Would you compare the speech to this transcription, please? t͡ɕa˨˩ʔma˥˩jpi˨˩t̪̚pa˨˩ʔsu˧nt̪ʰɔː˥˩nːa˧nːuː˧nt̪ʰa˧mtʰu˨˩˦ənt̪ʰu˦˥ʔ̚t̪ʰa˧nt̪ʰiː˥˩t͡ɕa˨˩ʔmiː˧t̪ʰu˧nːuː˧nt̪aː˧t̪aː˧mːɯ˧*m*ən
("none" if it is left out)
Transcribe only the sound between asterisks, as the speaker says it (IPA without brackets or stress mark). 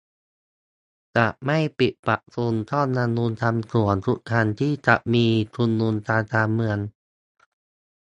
none